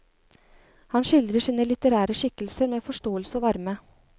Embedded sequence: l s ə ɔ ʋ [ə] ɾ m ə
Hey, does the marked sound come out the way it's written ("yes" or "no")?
no